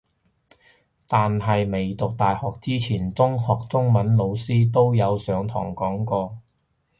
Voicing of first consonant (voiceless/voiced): voiceless